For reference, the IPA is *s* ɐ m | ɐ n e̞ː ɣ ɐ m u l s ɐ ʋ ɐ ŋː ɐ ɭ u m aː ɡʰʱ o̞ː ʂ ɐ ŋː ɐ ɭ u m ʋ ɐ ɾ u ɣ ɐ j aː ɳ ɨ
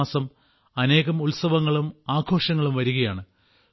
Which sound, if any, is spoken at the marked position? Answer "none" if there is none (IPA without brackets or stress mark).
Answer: s